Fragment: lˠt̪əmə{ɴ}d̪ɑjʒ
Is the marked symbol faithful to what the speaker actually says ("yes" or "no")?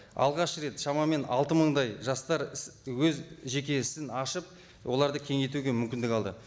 yes